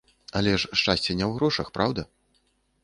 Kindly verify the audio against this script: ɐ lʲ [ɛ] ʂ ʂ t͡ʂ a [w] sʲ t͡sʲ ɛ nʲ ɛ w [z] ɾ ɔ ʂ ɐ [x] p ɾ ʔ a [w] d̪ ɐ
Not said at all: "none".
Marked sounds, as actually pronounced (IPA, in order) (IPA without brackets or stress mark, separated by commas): ɛ, none, ɣ, x, w